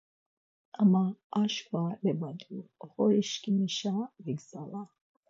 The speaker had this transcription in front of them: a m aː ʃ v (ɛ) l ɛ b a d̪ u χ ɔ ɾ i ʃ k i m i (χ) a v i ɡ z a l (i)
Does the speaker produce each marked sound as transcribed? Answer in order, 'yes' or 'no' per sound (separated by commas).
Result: no, no, no